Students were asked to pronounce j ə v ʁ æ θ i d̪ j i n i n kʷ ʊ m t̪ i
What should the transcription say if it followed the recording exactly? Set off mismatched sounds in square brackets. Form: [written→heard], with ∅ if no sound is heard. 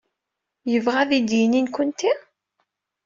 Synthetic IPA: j ə v ʁ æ [θ→ð] i d̪ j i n i n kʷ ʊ [m→n] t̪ i